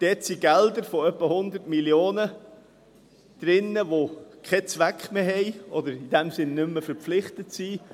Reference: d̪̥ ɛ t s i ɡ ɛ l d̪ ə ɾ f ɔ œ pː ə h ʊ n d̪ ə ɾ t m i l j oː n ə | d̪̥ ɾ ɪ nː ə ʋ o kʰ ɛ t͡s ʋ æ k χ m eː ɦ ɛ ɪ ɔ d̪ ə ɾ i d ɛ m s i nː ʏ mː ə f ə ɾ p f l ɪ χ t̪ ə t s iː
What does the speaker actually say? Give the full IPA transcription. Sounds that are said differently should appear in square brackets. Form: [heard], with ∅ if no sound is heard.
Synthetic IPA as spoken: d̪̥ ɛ t s i ɡ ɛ l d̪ ə ɾ f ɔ œ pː ə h ʊ n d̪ ə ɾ t m i l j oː n ə | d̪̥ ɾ ɪ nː ə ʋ o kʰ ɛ t͡s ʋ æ k χ m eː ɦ ɛ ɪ ɔ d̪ ə ɾ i d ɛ m s [ɪ] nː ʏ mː ə f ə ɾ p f l ɪ χ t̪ ə t s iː